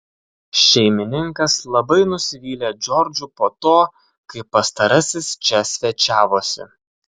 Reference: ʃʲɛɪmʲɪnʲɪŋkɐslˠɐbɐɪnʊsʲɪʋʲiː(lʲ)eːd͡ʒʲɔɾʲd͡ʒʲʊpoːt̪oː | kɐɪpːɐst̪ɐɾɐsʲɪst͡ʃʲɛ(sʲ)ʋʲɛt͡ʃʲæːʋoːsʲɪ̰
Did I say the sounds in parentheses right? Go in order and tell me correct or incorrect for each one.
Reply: correct, correct

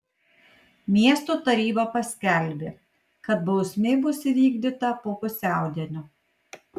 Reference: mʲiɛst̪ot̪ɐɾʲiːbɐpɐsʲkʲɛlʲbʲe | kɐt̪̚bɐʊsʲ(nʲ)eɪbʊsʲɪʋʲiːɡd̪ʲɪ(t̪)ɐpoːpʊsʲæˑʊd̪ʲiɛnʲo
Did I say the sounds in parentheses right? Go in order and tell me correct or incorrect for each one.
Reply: incorrect: mʲ, correct

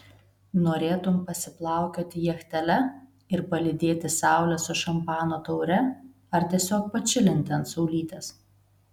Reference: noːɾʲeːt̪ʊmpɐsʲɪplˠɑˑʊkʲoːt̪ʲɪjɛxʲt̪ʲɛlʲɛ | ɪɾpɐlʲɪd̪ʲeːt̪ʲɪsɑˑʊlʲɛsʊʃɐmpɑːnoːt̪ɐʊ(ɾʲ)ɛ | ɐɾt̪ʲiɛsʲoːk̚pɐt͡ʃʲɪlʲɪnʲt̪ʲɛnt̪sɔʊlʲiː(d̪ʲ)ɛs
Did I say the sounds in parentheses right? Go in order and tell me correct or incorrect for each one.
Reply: correct, incorrect: t̪ʲ

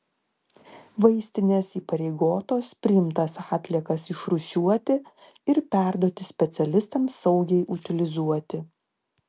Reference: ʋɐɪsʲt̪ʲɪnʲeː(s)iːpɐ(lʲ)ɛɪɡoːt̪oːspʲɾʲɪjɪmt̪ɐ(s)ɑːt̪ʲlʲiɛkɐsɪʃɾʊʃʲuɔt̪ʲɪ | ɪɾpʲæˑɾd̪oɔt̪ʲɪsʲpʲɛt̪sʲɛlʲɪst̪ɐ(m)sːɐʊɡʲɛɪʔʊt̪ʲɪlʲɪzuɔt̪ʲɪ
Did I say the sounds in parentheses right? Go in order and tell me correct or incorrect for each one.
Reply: correct, incorrect: ɾʲ, correct, correct

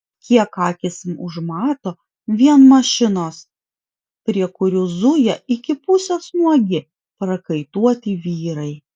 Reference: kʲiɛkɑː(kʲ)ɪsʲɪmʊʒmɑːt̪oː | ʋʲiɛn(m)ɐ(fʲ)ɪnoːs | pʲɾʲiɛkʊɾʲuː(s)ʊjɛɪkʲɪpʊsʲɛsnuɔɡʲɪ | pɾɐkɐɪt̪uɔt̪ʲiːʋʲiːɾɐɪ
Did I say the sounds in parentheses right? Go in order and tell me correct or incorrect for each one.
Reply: correct, correct, incorrect: ʃʲ, incorrect: z

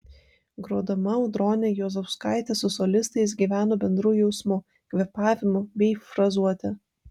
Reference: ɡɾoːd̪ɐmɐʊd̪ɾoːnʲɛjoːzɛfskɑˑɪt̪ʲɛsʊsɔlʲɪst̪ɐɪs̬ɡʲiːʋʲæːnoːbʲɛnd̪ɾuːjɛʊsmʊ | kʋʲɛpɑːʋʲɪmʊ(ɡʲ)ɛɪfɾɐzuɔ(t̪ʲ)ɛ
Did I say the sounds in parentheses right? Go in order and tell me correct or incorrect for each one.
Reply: incorrect: bʲ, correct

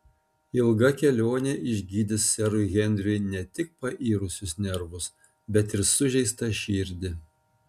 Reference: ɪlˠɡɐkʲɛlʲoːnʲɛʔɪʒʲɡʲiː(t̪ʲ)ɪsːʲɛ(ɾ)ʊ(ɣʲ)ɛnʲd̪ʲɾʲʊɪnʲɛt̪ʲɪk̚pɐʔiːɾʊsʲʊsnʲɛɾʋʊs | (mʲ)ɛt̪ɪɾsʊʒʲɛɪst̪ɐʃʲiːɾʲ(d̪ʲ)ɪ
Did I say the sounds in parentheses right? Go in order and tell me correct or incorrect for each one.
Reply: incorrect: d̪ʲ, correct, correct, incorrect: bʲ, correct

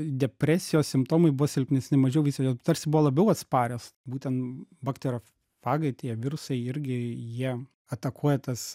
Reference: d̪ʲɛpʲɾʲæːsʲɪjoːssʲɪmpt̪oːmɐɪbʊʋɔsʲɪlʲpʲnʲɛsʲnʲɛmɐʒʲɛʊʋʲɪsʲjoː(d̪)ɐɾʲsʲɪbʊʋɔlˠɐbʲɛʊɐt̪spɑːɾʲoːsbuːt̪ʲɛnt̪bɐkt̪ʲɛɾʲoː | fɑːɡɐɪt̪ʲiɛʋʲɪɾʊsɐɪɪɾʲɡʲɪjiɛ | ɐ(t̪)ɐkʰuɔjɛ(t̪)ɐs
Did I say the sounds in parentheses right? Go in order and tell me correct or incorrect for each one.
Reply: incorrect: t̪, correct, correct

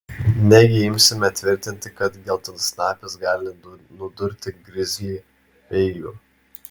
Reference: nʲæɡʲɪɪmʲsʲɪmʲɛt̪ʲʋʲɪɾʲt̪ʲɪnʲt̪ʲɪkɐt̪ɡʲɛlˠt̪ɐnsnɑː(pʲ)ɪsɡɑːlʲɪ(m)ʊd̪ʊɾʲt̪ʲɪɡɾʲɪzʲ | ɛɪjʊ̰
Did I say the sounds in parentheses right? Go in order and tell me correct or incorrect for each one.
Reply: correct, incorrect: n

